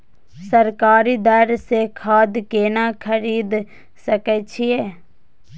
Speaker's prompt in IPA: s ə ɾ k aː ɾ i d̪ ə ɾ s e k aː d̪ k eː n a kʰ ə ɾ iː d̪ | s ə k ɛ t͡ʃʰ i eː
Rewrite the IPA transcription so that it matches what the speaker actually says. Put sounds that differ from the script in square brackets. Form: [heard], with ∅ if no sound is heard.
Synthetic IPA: s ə ɾ k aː ɾ i d̪ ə ɾ s e [kʰ] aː d̪ k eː n a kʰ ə ɾ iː d̪ | s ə k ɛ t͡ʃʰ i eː